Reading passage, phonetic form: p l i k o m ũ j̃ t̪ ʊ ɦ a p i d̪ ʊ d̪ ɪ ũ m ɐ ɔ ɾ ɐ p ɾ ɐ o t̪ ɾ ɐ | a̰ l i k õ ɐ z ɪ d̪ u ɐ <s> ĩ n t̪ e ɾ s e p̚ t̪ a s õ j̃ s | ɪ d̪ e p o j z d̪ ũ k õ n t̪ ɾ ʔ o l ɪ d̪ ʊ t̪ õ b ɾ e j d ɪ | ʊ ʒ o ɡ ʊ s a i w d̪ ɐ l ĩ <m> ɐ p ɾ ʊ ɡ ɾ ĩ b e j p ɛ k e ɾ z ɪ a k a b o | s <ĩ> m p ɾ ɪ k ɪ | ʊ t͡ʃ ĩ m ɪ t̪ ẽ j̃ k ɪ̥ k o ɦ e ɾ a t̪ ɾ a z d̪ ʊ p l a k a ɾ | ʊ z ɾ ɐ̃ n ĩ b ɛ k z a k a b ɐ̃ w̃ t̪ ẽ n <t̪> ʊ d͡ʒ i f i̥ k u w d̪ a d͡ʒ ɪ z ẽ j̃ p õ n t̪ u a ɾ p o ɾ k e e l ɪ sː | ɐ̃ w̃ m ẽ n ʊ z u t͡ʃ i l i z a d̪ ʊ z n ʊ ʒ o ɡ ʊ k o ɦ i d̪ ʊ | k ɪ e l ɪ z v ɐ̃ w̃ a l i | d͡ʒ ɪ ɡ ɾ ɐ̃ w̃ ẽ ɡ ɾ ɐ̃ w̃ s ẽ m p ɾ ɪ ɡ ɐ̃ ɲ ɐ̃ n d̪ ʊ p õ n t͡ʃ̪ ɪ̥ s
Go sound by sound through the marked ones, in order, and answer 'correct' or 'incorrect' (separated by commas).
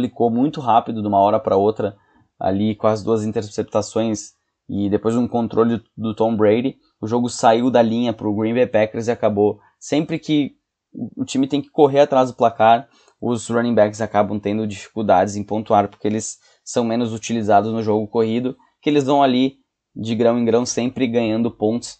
incorrect, incorrect, incorrect, incorrect